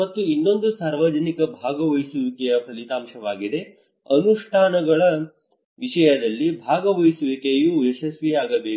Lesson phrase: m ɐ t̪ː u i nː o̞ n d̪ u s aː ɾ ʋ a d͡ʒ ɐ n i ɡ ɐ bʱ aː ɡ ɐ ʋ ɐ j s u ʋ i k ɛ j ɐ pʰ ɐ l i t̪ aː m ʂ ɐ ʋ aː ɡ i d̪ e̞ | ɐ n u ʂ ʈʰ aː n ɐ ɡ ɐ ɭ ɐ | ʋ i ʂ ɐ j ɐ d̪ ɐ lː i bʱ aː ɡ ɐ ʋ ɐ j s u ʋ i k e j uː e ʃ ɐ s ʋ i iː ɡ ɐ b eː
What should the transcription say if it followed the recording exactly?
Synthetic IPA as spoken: m ɐ t̪ː u i nː o̞ n d̪ u s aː ɾ ʋ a d͡ʒ ɐ n i k ɐ bʱ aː ɡ ɐ ʋ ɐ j s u ʋ i k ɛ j ɐ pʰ ɐ l i t̪ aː m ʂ ɐ ʋ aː ɡ i d̪ e̞ | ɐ n u ʂ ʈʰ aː n ɐ ɡ ɐ ɭ ɐ | ʋ i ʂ ɐ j ɐ d̪ ɐ lː i bʱ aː ɡ ɐ ʋ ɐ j s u ʋ i k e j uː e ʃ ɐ s ʋ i aː ɡ ɐ b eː